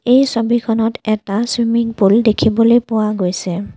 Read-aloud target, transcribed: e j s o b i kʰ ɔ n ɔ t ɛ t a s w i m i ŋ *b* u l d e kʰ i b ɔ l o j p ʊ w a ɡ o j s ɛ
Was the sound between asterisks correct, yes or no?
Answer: no